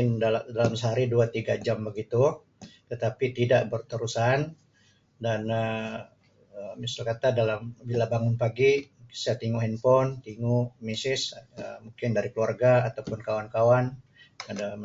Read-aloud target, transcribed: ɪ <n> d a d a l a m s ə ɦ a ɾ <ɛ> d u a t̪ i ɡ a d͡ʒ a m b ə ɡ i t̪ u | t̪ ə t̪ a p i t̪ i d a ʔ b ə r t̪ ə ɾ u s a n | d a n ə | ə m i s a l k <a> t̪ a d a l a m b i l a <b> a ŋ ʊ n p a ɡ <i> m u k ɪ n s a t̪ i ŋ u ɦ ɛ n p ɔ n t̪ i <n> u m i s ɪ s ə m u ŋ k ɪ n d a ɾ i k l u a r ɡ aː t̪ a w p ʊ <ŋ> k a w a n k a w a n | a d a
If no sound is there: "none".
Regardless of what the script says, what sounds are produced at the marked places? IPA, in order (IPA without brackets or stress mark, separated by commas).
n, i, a, b, i, ŋ, n